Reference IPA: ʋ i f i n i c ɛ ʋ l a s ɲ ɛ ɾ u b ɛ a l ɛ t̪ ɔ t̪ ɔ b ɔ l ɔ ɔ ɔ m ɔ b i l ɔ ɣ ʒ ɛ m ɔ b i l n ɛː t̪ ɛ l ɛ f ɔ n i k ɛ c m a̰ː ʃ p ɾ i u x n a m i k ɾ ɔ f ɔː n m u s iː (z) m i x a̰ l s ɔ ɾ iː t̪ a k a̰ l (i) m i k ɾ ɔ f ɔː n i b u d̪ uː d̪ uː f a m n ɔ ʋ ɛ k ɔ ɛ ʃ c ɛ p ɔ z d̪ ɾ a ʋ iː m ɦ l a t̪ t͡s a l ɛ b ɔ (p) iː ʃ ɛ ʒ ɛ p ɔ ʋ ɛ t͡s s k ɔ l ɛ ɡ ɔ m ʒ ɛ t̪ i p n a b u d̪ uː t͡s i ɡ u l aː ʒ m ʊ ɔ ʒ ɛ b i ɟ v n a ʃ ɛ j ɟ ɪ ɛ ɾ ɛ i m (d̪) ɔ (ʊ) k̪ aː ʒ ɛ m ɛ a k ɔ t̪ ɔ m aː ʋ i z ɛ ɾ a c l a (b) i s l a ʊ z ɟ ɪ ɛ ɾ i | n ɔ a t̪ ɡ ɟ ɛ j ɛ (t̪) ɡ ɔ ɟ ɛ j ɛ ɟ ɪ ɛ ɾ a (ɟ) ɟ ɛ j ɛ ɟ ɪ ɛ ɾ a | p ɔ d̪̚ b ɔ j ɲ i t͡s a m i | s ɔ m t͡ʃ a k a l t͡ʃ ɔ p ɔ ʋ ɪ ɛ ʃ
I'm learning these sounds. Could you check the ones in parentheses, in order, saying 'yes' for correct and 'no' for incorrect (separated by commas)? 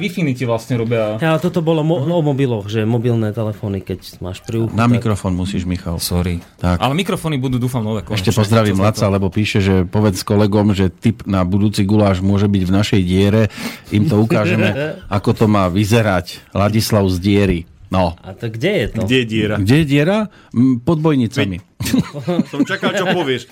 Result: no, no, yes, no, no, no, yes, no